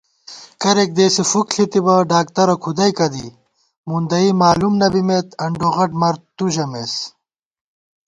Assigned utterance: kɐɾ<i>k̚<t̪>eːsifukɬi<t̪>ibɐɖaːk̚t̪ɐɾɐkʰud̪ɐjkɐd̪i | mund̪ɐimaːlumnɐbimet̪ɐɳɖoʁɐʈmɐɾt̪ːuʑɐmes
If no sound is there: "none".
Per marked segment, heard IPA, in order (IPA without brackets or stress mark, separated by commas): e, d̪, t̪